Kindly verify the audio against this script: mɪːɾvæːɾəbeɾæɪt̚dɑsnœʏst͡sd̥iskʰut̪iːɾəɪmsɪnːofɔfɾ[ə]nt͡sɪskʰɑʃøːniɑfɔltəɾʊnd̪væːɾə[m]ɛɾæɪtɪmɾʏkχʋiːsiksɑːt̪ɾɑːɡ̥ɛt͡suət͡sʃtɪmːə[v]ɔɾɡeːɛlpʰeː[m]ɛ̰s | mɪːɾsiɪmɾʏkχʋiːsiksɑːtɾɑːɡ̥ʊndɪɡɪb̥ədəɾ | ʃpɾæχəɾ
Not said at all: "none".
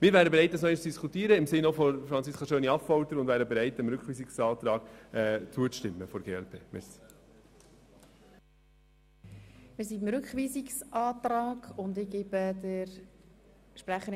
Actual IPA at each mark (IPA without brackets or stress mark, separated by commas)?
ɑ, b, f, m